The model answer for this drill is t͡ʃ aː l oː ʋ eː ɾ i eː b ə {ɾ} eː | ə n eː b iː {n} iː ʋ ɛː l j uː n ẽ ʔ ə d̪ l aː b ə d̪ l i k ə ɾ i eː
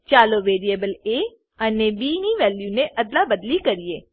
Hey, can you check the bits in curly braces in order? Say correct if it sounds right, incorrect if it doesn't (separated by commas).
incorrect, correct